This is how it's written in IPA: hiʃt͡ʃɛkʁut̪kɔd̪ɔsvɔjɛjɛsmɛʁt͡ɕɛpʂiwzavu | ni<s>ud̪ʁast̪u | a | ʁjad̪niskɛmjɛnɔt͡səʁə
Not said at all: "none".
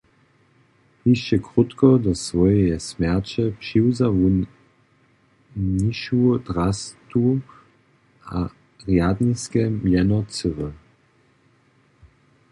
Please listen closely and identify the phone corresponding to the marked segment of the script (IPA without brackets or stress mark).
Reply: ʃ